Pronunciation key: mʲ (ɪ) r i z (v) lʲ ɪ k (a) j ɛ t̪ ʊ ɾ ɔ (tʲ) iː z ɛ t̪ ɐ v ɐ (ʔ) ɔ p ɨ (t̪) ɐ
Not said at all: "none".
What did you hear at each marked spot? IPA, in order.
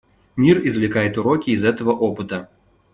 i, v, a, kʲ, ʔ, t̪

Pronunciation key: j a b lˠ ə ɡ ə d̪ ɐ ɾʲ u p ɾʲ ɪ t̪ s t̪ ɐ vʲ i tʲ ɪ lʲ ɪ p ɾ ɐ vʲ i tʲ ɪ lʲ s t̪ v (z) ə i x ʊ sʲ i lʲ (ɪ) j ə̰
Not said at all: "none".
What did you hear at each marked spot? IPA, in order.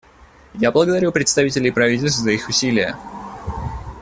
z, ɪ

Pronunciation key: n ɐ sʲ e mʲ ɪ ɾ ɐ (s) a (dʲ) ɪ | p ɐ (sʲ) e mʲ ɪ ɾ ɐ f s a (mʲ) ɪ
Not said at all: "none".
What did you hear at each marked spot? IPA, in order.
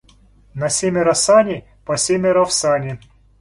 s, nʲ, sʲ, nʲ

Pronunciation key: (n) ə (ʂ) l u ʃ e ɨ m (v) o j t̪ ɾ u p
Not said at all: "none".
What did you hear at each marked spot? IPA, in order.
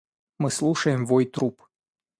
m, s, v

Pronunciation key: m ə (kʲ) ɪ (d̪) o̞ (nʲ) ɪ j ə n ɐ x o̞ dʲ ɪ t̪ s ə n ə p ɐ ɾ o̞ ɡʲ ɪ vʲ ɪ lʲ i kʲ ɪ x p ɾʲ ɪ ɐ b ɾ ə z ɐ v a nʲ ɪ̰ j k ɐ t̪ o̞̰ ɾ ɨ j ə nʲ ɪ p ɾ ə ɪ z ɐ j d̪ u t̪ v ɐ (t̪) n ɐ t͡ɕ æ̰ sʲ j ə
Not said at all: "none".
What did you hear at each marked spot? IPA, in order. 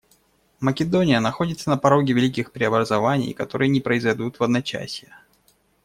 kʲ, d̪, nʲ, d̪

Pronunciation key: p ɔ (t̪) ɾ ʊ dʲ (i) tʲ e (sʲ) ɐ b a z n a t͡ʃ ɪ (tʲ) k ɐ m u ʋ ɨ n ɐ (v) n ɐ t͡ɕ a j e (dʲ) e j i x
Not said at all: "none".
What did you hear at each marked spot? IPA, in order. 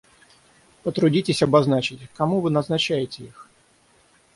t̪, i, sʲ, tʲ, z, tʲ

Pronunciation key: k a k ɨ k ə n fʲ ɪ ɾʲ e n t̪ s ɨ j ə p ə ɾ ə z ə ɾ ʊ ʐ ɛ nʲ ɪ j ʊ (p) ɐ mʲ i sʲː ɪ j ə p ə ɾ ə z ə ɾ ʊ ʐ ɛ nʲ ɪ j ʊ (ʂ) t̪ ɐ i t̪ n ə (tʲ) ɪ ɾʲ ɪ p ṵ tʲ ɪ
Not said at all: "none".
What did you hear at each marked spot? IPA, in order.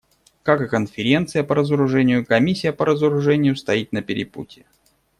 k, s, pʲ

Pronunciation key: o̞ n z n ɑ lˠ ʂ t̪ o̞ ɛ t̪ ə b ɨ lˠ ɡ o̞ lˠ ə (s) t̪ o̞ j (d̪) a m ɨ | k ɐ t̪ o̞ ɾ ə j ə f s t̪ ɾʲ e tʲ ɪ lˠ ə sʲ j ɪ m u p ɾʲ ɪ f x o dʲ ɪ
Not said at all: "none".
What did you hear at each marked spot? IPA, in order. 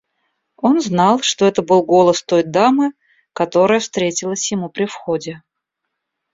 s, d̪

